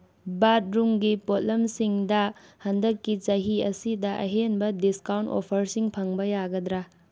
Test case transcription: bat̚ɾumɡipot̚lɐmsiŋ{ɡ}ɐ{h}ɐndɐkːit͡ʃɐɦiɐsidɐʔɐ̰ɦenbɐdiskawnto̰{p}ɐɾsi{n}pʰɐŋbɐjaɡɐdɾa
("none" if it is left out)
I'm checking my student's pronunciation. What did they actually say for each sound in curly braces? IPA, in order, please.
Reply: d, h, pʰ, ŋ

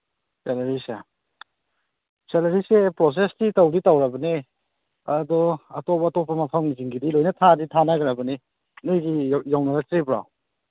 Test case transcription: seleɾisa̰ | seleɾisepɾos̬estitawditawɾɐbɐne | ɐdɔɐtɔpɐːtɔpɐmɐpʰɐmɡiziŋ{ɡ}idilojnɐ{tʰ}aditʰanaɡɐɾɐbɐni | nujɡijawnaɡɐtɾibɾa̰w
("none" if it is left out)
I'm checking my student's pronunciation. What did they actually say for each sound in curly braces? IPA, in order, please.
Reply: ɡ, tʰ

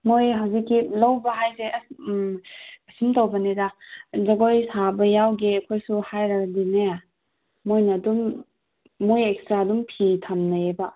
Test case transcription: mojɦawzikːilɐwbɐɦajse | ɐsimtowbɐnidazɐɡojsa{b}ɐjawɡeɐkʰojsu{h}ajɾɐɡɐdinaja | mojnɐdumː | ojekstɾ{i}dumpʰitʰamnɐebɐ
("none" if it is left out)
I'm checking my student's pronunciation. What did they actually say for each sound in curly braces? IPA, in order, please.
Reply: b, h, a

